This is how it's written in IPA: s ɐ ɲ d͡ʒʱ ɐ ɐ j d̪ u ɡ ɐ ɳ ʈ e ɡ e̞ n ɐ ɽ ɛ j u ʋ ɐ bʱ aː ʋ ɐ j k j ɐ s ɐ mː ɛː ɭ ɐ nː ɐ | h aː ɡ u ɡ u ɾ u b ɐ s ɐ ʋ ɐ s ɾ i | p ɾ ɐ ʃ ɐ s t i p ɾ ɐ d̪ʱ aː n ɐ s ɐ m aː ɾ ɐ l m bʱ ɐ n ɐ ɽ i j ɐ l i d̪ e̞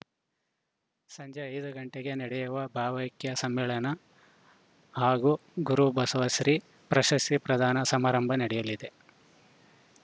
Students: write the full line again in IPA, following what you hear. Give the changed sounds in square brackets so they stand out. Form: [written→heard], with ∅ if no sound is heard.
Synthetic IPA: s ɐ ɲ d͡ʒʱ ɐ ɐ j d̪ u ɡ ɐ ɳ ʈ e ɡ e̞ n ɐ ɽ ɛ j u ʋ ɐ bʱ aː ʋ ɐ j k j ɐ s ɐ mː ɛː ɭ ɐ [nː→n] ɐ | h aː ɡ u ɡ u ɾ u b ɐ s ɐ ʋ ɐ s ɾ i | p ɾ ɐ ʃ ɐ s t i p ɾ ɐ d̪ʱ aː n ɐ s ɐ m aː ɾ ɐ [l→∅] m bʱ ɐ n ɐ ɽ [i→ɛ] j ɐ l i d̪ e̞